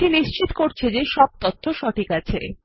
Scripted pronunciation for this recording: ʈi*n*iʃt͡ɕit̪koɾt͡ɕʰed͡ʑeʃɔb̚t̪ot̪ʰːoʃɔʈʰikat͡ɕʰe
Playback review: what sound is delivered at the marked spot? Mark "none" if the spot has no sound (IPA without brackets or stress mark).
n